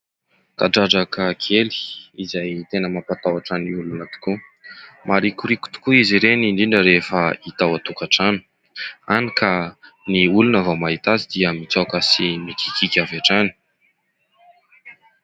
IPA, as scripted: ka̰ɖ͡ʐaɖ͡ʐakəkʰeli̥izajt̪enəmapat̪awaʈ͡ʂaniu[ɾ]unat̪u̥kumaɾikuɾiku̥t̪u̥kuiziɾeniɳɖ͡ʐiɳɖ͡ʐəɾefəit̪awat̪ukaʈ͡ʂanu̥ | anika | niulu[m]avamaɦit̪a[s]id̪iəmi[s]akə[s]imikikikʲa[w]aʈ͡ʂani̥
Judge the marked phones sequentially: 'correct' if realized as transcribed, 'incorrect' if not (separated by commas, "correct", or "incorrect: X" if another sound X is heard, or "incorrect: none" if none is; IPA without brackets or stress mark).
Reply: incorrect: l, incorrect: n, incorrect: z, incorrect: t͡s, correct, incorrect: v